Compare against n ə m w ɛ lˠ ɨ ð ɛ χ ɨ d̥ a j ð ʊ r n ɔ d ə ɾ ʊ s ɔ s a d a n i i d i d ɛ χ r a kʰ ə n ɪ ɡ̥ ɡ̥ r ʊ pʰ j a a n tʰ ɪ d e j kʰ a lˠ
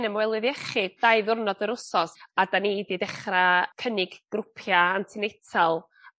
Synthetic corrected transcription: n ə m w ɛ lˠ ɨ ð ɛ χ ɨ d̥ a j ð ʊ r n ɔ d ə ɾ ʊ s ɔ s a d a n i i d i d ɛ χ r a kʰ ə n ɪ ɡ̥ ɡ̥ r ʊ pʰ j a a n tʰ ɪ n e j tʰ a lˠ